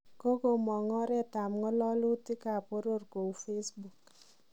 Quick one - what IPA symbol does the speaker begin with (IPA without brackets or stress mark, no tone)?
k